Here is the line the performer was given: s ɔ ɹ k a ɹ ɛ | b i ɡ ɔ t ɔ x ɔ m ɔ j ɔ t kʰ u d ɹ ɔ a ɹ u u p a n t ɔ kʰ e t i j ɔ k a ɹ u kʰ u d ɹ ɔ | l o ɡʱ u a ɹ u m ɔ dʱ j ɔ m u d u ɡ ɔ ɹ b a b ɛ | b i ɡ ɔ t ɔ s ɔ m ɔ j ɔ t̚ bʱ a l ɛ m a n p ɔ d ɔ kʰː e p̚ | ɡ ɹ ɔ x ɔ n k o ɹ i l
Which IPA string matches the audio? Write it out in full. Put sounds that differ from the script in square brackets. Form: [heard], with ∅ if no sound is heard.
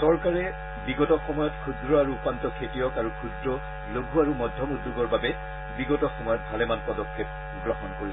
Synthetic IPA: s ɔ ɹ k a ɹ ɛ | b i ɡ ɔ t ɔ x ɔ m ɔ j ɔ t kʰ u d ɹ ɔ a ɹ u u p a n t ɔ kʰ e t i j ɔ k a ɹ u kʰ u d ɹ ɔ | l o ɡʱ u a ɹ u m ɔ dʱ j ɔ m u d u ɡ ɔ ɹ b a b ɛ | b i ɡ ɔ t ɔ [x] ɔ m ɔ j ɔ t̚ bʱ a l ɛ m a n p ɔ d ɔ kʰː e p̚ | ɡ ɹ ɔ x ɔ n k o ɹ i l